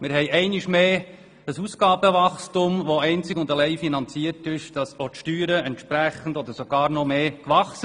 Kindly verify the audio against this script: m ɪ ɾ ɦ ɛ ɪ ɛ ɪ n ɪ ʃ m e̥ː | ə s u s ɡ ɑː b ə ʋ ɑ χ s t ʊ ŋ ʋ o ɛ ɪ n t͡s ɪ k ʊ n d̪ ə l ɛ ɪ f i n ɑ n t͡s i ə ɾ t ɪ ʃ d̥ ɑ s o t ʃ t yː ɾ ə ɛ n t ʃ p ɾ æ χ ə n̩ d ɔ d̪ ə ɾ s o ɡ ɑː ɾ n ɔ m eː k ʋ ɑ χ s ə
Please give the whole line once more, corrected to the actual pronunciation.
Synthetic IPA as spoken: m ɪ ɾ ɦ ɛ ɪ ɛ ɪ n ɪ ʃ m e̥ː | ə s u s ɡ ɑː b ə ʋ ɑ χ s t ʊ m ʋ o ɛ ɪ n t͡s ɪ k ʊ n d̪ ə l ɛ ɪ f i n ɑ n t͡s i ə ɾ t ɪ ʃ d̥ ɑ s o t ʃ t yː ɾ ə ɛ n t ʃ p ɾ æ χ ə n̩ d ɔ d̪ ə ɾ s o ɡ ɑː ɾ n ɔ m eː k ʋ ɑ χ s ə